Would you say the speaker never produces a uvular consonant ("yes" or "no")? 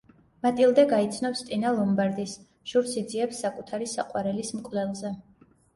no